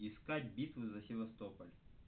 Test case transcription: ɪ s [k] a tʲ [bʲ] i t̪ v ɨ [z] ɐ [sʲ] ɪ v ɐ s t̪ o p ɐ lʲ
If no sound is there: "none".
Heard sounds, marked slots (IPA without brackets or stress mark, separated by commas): k, bʲ, z, sʲ